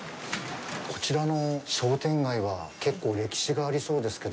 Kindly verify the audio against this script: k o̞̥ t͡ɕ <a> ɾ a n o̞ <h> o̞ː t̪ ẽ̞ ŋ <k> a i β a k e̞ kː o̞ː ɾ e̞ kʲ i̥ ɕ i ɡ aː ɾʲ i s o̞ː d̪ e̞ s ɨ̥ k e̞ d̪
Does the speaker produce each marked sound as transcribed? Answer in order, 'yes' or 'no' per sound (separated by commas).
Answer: no, no, no